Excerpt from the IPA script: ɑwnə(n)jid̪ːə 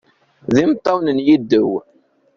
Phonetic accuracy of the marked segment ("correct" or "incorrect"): correct